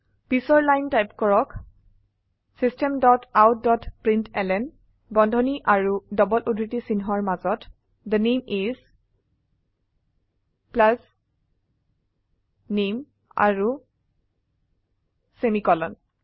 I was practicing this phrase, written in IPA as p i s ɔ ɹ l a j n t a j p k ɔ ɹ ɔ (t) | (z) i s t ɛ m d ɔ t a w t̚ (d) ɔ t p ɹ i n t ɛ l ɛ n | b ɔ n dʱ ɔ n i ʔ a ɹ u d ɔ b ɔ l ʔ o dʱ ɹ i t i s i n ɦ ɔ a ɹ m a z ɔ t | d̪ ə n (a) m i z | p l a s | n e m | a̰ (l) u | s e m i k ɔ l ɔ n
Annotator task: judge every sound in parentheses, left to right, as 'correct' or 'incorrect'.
incorrect: k, incorrect: s, correct, incorrect: e, incorrect: ɹ

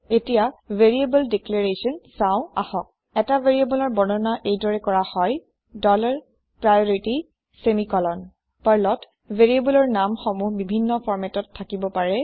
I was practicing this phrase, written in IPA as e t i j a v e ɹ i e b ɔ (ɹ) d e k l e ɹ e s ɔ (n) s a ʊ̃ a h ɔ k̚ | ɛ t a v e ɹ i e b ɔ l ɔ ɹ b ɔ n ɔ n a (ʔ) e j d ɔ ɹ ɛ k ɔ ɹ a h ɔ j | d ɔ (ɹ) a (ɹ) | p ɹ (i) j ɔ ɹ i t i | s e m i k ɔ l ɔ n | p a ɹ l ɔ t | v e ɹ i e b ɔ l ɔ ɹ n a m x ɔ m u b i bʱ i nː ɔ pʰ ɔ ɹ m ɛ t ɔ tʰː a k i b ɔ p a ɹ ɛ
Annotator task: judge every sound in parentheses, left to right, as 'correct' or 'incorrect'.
incorrect: l, correct, correct, incorrect: l, correct, incorrect: a

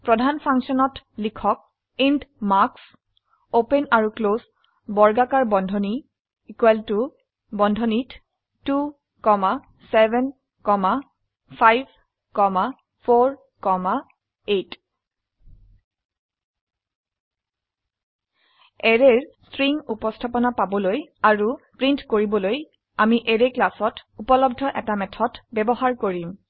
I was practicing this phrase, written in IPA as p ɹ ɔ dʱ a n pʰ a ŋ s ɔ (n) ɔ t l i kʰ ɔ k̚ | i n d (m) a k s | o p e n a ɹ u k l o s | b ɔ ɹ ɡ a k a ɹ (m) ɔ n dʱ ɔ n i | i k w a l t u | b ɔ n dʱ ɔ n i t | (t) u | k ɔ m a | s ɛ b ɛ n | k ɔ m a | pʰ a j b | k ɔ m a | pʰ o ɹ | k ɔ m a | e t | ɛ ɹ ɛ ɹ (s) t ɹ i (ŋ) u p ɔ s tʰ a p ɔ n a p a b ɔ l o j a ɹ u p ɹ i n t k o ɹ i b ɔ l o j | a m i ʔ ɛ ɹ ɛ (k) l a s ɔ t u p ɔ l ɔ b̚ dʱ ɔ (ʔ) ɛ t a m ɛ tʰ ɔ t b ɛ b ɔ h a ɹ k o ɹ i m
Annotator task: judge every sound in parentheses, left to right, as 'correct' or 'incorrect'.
correct, correct, incorrect: b, correct, correct, correct, correct, correct

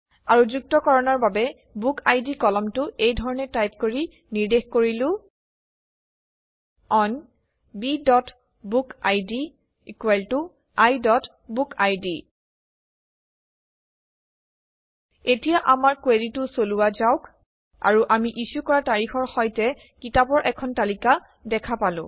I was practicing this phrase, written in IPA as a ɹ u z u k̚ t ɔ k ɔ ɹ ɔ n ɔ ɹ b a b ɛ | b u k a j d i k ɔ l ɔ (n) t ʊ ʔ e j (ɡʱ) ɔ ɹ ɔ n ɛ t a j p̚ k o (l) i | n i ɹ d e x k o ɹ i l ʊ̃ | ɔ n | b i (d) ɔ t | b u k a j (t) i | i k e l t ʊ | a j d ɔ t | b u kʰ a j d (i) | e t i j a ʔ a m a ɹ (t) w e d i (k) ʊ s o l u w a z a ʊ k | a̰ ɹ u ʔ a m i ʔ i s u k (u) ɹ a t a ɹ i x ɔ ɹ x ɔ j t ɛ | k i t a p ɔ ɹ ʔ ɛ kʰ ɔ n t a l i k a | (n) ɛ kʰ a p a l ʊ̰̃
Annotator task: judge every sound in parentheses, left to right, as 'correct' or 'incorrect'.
incorrect: m, incorrect: dʱ, incorrect: ɹ, correct, incorrect: d, correct, incorrect: k, incorrect: t, incorrect: ɔ, incorrect: d

